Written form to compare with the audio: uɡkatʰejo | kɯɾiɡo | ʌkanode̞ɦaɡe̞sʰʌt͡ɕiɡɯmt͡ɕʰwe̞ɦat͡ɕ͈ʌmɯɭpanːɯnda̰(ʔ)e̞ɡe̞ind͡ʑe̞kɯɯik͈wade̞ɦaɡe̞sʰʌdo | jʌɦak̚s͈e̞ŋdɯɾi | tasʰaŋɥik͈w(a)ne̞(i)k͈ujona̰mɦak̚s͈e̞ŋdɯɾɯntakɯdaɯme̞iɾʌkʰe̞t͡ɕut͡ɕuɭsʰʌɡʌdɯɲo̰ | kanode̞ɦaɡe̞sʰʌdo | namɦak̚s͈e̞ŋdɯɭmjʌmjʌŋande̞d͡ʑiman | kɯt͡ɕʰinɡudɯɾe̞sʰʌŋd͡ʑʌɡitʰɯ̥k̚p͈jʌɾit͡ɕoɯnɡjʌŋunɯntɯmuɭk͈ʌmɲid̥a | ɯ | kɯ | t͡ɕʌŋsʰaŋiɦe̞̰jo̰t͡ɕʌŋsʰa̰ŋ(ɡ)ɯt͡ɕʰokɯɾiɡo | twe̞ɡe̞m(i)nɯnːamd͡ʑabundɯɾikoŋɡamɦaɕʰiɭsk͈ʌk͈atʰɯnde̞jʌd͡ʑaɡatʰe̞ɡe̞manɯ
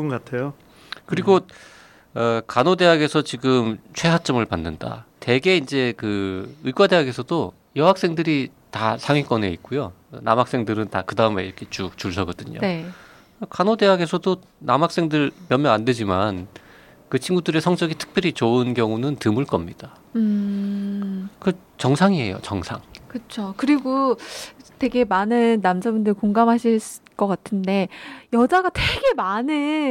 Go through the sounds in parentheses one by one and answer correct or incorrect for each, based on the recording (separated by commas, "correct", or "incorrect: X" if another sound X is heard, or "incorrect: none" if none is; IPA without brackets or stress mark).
incorrect: t, incorrect: ʌ, correct, incorrect: k, incorrect: a